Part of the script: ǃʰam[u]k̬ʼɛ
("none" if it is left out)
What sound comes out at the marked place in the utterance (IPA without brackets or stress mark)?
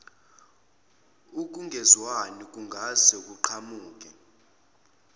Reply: uː